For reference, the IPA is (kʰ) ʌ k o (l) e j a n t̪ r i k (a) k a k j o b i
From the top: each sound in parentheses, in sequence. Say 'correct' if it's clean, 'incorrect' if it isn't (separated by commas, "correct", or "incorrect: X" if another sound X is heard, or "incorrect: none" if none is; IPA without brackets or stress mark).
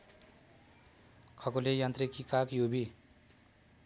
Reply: correct, correct, incorrect: i